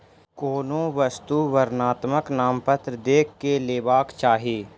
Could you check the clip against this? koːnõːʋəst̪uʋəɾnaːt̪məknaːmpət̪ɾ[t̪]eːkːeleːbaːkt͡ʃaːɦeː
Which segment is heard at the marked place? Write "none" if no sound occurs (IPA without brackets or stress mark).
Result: d̪